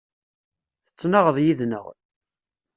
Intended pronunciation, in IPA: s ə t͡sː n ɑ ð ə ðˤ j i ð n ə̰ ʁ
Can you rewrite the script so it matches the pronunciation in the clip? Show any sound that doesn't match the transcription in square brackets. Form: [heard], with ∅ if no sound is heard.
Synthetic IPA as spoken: [θ] ə t͡sː n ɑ [ʁ] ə ðˤ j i ð n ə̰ ʁ